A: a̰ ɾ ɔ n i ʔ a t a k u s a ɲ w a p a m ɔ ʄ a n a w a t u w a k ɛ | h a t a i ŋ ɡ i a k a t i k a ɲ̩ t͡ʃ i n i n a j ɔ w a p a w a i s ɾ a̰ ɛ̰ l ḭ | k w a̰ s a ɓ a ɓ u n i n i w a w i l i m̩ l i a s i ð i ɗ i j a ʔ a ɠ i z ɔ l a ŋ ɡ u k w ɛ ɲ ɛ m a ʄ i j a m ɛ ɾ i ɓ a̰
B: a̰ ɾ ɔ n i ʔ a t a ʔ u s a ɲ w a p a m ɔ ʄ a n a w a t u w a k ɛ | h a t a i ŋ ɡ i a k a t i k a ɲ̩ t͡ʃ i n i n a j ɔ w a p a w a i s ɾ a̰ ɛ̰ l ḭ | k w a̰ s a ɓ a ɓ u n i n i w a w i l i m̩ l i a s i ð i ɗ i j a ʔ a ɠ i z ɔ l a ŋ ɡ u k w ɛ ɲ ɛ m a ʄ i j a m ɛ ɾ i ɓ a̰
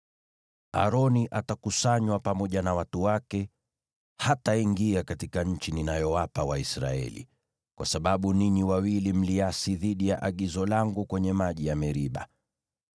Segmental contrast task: A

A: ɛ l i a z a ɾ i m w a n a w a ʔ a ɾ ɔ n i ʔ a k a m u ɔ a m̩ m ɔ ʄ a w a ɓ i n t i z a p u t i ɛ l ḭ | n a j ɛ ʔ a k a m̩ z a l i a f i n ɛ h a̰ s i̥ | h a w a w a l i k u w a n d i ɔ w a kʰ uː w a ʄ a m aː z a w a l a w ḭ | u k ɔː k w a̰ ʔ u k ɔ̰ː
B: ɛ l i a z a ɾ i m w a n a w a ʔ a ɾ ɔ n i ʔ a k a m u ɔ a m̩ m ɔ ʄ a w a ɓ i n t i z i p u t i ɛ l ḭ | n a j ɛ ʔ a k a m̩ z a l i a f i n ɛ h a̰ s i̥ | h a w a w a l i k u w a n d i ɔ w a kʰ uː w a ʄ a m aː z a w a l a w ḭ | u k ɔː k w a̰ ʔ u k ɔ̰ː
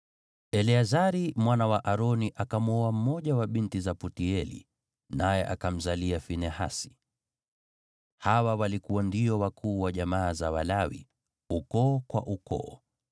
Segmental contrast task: A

